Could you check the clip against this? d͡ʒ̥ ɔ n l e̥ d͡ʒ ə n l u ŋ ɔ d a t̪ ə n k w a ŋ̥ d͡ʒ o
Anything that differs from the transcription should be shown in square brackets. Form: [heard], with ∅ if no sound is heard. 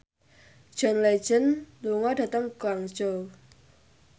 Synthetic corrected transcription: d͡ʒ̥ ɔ n l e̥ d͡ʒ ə n l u ŋ ɔ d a t̪ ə [ŋ] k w a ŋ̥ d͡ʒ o

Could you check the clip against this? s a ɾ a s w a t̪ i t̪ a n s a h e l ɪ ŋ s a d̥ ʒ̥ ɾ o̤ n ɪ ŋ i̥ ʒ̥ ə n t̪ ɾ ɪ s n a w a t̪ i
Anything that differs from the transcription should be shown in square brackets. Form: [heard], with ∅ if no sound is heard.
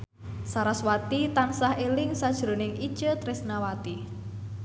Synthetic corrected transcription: s a ɾ a s w a t̪ i t̪ a n s a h e l ɪ ŋ s a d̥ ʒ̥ ɾ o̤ n ɪ ŋ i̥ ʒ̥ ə [∅] t̪ ɾ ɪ s n a w a t̪ i

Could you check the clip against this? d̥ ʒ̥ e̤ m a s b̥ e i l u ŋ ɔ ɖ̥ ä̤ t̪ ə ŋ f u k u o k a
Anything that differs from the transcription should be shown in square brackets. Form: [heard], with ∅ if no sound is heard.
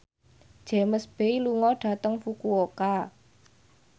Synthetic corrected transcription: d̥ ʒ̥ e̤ m [ə] s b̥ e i l u ŋ ɔ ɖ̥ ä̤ t̪ ə ŋ f u k u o k a

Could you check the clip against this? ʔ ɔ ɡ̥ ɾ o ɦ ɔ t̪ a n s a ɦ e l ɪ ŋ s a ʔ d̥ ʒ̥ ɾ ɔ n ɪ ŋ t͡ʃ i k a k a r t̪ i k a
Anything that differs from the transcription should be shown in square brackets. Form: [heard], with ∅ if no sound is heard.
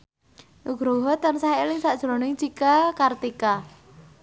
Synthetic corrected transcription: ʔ [u] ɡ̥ ɾ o ɦ ɔ t̪ a n s a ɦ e l ɪ ŋ s a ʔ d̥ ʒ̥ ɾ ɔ n ɪ ŋ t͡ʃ i k a k a r t̪ i k a

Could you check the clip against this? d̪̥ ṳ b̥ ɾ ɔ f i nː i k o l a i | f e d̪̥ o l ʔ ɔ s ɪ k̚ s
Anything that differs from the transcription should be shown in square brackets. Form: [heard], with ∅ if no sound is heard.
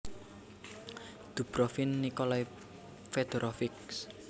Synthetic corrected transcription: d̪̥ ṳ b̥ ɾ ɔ f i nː i k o l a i | f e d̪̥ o [ɾ] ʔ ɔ [f] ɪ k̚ s

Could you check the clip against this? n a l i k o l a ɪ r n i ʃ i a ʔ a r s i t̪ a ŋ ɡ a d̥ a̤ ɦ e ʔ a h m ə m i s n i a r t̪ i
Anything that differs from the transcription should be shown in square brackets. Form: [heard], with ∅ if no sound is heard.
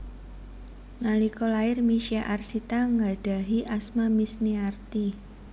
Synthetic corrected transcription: n a l i k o l a ɪ r [m] i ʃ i a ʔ a r s i t̪ a ŋ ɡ a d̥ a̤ ɦ [i] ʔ a [s] m [a] m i s n i a r t̪ i

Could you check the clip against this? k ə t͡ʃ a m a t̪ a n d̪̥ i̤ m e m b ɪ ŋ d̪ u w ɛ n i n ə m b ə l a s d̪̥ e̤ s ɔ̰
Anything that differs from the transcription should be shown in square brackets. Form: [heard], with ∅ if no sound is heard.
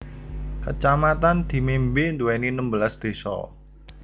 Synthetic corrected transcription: k ə t͡ʃ a m a t̪ a n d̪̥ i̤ m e m b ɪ [n] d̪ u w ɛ n i n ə m b ə l a s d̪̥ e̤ s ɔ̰

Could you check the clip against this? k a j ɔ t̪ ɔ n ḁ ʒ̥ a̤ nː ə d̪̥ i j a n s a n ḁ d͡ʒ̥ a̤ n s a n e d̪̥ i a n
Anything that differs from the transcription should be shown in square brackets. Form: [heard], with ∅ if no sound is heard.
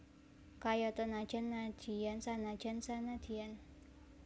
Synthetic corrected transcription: k a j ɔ t̪ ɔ n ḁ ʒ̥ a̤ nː [a] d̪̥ i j a n s a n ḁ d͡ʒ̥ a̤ n s a n [a] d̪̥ i a n

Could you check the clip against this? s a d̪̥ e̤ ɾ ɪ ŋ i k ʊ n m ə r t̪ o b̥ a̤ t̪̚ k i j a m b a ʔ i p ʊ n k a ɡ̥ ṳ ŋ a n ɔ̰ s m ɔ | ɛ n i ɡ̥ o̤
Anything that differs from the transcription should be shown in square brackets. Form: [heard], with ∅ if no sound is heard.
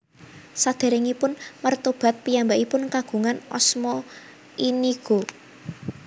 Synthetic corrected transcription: s a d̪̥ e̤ ɾ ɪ ŋ i [p] ʊ n m ə r t̪ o b̥ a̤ t̪̚ [p] i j a m b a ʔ i p ʊ n k a ɡ̥ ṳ ŋ a n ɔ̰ s m ɔ | [i] n i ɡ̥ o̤

